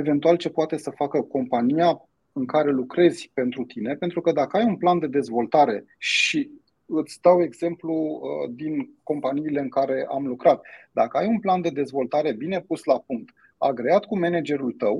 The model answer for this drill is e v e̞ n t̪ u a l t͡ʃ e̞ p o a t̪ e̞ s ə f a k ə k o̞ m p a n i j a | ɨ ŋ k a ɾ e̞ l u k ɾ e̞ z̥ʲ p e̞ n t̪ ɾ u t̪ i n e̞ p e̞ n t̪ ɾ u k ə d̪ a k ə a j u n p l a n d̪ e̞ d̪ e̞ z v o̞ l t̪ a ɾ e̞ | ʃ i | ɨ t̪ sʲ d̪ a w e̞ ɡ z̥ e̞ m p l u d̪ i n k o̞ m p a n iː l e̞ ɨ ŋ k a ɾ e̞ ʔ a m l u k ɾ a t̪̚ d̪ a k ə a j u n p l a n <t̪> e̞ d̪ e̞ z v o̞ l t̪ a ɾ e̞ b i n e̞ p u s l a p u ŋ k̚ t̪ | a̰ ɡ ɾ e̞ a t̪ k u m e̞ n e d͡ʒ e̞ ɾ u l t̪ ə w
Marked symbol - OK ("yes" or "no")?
no